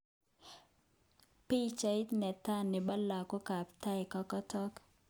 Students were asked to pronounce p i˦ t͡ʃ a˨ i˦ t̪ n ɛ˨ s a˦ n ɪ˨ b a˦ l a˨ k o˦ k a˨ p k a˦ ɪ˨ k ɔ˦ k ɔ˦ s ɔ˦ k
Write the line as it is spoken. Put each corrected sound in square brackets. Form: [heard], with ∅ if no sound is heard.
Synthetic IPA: p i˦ t͡ʃ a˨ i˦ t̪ n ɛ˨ [t] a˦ n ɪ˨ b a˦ l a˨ k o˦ k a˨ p [t] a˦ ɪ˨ k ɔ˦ k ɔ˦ [t] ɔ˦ k